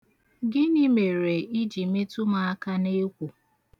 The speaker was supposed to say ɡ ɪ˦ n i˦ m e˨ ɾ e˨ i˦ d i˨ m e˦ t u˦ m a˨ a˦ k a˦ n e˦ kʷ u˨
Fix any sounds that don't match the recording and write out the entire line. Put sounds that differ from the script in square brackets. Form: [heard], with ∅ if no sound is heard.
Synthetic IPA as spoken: ɡ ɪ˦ n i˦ m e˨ ɾ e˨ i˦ [d͡ʒ] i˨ m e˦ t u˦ m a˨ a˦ k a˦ n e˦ kʷ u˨

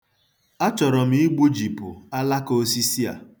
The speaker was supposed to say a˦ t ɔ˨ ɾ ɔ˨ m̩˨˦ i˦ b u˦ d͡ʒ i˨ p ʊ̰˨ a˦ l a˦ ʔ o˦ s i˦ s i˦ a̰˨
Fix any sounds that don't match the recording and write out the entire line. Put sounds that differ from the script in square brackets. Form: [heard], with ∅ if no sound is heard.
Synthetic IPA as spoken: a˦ [t͡ʃ] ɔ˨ ɾ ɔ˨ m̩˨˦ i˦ [ɡ͡b] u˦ d͡ʒ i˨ p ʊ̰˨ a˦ l a˦ [k] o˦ s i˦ s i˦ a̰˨

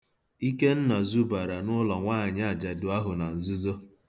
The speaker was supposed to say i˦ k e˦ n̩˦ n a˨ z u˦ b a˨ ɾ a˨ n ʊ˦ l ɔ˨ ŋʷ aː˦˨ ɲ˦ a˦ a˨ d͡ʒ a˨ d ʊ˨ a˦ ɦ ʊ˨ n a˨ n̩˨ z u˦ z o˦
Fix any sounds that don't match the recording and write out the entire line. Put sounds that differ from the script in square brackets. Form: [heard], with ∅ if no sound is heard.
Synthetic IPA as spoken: i˦ k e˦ n̩˦ n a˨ z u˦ b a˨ ɾ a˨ n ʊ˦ l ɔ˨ ŋʷ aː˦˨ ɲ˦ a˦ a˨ d͡ʒ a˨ d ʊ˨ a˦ ɦ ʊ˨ n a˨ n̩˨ z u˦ z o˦

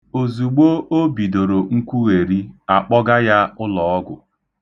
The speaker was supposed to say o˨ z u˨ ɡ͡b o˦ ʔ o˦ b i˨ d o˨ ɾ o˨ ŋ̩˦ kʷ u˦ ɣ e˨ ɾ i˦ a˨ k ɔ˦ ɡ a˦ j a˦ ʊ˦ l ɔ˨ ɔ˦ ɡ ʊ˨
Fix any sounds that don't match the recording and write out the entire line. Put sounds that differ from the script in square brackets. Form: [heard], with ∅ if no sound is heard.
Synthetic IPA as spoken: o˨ z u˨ ɡ͡b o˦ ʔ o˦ b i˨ d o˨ ɾ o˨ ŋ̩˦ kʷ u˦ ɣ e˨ ɾ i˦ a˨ [k͡p] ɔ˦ ɡ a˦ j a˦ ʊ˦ l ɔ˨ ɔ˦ ɡ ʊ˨

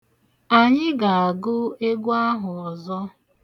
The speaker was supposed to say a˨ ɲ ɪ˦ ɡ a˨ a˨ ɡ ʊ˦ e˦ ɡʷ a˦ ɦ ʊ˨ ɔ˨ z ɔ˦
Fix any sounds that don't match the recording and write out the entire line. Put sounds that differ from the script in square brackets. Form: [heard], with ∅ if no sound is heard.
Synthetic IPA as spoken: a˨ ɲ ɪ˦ ɡ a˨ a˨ ɡ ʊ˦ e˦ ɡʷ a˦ ɦ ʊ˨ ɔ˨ z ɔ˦

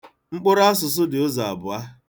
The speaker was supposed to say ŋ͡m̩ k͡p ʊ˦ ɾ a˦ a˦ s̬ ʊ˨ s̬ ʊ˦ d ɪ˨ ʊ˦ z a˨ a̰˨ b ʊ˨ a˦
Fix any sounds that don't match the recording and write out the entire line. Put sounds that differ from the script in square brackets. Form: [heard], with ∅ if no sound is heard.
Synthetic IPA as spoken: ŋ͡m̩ k͡p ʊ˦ ɾ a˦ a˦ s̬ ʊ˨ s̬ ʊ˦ d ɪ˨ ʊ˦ z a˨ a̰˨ b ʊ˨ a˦

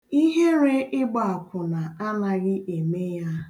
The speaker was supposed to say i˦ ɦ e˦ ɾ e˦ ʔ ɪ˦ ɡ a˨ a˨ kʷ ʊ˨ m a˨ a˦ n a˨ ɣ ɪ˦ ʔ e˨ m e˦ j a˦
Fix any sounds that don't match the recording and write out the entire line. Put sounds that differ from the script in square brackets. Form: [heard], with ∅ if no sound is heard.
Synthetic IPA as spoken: i˦ ɦ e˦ ɾ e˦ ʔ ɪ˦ [ɡ͡b] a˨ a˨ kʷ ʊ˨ [n] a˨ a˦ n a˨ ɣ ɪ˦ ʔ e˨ m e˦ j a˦

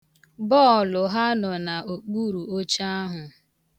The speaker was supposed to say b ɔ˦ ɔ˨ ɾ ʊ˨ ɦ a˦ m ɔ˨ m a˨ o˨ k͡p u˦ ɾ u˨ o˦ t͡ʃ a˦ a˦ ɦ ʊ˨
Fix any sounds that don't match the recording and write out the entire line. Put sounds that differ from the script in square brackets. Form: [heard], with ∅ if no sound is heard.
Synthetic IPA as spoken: b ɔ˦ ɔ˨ [l] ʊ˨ ɦ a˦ [n] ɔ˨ [n] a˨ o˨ k͡p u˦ ɾ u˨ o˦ t͡ʃ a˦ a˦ ɦ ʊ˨

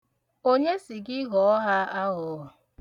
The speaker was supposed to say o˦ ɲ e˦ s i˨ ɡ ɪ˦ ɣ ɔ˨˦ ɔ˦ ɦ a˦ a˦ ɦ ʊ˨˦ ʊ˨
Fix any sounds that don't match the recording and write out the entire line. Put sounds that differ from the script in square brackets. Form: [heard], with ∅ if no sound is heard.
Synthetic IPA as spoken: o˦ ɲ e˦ s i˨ ɡ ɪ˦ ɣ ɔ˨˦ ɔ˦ ɦ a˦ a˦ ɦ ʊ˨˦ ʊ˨

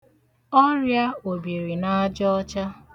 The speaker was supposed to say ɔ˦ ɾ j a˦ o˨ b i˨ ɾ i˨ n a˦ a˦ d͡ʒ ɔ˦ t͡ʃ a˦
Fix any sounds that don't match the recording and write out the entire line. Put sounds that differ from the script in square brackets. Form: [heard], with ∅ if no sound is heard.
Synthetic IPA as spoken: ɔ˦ ɾ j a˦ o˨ b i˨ ɾ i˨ n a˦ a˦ d͡ʒ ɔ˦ t͡ʃ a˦

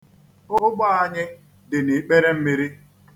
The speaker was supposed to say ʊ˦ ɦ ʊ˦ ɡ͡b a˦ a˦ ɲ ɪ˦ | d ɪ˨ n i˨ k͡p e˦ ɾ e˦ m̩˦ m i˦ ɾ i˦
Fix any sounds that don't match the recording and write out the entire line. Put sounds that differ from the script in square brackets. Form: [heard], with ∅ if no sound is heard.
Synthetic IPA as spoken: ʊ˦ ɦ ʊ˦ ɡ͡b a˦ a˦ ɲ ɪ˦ | d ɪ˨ n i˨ k͡p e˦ ɾ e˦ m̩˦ m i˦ ɾ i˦

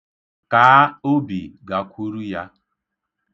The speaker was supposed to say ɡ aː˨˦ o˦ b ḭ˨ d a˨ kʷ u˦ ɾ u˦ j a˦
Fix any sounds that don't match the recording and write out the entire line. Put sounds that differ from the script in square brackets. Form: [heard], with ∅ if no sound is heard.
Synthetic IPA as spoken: [k] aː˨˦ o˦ b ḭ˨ [ɡ] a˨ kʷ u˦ ɾ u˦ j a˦

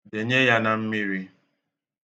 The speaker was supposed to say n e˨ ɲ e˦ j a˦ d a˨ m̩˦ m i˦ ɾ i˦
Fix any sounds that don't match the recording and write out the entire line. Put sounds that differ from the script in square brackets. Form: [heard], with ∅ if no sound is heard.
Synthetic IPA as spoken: [d] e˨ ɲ e˦ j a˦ [n] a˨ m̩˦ m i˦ ɾ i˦

